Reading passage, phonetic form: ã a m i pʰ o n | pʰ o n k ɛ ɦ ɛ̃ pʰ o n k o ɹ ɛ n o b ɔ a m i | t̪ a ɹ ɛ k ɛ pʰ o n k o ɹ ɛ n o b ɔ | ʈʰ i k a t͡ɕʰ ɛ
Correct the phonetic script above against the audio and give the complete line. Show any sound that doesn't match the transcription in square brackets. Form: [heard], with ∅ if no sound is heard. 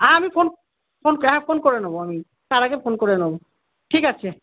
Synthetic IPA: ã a m i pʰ o n | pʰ o n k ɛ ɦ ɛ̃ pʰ o n k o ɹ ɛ n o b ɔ a m i | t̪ a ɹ [a] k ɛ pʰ o n k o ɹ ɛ n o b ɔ | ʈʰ i k a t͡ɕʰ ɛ